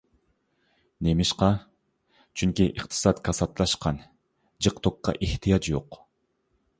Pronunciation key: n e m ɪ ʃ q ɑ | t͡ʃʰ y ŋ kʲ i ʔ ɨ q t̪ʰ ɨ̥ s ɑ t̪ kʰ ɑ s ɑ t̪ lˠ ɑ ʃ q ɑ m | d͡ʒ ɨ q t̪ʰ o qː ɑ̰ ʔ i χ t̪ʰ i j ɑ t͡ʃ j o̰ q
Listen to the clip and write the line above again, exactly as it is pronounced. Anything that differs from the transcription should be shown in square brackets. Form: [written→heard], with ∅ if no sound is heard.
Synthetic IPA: n e m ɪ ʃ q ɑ | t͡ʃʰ y ŋ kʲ i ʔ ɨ q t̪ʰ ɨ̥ s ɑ t̪ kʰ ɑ s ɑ t̪ lˠ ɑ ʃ q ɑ [m→n] | d͡ʒ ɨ q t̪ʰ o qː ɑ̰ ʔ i [χ→h] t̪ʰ i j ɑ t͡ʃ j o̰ q